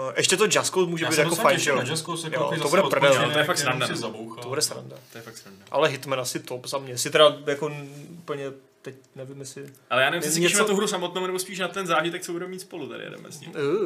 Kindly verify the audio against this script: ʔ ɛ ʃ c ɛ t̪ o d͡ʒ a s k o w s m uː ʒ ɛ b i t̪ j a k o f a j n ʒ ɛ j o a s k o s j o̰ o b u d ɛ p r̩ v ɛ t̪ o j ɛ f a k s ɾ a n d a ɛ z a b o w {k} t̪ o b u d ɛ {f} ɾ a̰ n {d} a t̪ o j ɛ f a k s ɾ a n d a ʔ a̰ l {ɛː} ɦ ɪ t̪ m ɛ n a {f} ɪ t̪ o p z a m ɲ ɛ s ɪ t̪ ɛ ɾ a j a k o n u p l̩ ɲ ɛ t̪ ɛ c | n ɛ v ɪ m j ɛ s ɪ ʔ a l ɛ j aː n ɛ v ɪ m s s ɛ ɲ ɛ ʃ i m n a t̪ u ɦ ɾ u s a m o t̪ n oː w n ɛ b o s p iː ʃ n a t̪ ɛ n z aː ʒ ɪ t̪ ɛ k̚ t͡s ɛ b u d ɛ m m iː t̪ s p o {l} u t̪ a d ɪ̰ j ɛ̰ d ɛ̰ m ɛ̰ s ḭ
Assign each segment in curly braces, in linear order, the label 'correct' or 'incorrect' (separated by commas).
incorrect, incorrect, correct, incorrect, incorrect, correct